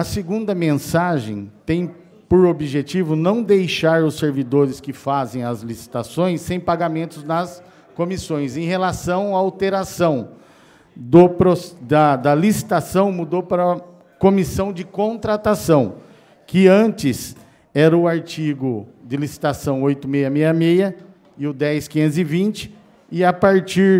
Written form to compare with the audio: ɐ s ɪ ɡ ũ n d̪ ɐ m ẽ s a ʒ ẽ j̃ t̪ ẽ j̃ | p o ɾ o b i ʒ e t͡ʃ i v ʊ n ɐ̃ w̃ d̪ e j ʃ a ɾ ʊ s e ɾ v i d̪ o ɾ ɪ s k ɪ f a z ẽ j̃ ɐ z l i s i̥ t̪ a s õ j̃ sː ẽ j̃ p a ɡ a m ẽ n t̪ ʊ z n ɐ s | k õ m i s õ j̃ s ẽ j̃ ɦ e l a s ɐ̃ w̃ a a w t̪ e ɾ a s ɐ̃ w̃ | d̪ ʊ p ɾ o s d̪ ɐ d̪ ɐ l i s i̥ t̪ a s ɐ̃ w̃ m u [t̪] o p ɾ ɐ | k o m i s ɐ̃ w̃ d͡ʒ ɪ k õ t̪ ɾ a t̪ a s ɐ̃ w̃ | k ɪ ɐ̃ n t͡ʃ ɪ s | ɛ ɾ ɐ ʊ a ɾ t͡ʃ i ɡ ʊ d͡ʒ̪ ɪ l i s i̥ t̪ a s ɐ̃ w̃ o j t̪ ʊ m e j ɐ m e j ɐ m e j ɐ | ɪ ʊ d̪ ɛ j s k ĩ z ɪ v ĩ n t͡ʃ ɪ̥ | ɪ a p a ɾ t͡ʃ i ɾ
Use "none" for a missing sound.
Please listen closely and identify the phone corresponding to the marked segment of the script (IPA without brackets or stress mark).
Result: d̪